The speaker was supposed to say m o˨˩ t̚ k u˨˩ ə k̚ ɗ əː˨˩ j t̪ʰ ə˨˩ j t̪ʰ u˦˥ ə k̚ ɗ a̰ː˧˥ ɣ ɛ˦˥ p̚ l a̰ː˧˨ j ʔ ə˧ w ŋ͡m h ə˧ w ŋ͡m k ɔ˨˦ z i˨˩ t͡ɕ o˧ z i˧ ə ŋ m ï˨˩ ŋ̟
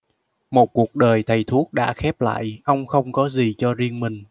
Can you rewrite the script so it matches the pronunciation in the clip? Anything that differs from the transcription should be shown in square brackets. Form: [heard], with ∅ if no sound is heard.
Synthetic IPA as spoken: m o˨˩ t̚ k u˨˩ ə k̚ ɗ əː˨˩ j t̪ʰ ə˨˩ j t̪ʰ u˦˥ ə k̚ ɗ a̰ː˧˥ [x] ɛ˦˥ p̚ l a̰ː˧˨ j ʔ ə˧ w ŋ͡m [x] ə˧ w ŋ͡m k ɔ˨˦ z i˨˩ t͡ɕ [ɔ˧] z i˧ ə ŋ m ï˨˩ ŋ̟